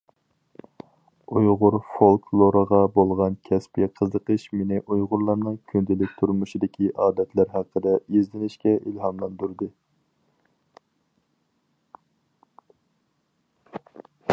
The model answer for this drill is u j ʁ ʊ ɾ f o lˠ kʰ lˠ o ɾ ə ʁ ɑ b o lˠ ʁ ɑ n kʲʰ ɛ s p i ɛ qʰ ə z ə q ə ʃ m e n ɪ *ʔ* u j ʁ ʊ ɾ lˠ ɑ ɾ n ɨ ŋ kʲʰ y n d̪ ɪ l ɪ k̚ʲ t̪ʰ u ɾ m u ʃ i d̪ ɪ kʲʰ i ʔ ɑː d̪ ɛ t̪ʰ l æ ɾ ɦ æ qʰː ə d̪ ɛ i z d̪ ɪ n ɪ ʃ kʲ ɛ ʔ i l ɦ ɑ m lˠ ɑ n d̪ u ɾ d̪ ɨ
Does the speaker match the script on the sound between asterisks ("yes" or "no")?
yes